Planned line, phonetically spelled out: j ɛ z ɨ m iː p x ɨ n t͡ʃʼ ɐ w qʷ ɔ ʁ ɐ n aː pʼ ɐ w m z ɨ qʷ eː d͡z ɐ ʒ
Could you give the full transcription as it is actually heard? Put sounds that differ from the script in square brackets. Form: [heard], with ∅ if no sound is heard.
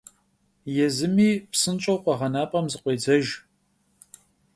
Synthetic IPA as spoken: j ɛ z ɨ m iː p [s] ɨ n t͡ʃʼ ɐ w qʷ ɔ ʁ ɐ n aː pʼ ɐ [∅] m z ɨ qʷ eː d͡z ɐ ʒ